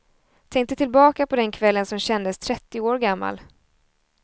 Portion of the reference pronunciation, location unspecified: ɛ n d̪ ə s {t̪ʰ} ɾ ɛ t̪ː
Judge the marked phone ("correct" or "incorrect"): correct